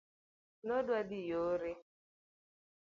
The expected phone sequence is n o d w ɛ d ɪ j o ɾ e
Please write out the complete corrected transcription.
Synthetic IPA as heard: n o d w a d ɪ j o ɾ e